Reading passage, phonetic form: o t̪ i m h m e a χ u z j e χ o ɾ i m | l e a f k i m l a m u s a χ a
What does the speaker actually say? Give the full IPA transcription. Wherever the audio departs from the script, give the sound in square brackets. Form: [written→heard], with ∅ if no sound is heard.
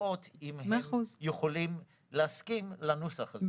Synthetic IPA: o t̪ i m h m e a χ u z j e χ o [ɾ→l] i m | l e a [f→s] k i m l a [m→n] u s a χ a